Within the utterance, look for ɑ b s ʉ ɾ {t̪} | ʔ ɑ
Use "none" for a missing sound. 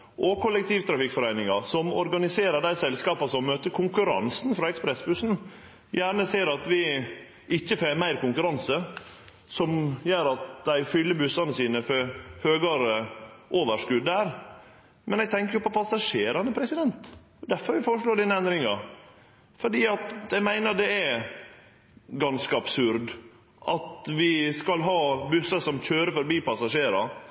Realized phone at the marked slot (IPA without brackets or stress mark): d̪